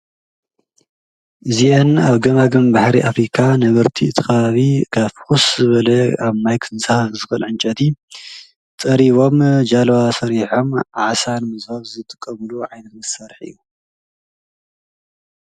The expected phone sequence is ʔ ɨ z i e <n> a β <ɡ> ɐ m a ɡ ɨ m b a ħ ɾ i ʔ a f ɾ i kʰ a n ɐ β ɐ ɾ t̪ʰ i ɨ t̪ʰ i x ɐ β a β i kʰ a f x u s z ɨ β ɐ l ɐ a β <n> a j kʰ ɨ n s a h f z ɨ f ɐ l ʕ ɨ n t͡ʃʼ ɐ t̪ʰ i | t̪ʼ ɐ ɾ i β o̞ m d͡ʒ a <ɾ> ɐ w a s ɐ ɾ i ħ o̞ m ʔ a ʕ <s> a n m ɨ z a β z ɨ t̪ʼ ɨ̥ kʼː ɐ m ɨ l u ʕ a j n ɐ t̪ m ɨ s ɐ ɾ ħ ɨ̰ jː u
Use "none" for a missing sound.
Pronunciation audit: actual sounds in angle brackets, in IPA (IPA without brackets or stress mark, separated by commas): n, ɡ, m, l, s